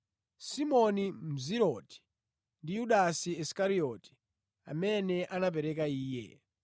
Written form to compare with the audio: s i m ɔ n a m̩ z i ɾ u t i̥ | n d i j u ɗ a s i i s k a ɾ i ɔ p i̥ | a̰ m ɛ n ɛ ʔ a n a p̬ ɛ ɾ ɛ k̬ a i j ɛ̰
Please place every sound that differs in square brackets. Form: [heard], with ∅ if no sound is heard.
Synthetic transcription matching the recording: s i m ɔ n [i] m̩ z i ɾ [ɔ] t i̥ | n d i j u ɗ a s i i s k a ɾ i ɔ [t] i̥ | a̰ m ɛ n ɛ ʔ a n a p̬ ɛ ɾ ɛ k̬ a [iː] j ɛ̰